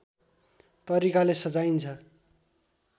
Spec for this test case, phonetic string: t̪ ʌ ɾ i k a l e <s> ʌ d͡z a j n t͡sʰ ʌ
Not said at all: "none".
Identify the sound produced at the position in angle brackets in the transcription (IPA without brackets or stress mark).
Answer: s